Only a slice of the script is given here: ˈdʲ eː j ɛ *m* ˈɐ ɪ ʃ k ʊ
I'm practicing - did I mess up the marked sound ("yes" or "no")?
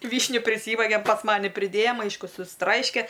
no